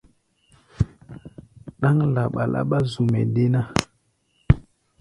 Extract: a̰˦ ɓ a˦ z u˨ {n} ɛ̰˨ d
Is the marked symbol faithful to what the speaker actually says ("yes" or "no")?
no